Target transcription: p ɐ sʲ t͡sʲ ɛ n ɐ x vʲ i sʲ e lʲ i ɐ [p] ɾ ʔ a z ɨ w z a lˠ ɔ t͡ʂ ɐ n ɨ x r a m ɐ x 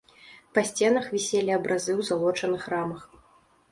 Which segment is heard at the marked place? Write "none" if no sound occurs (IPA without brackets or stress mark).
b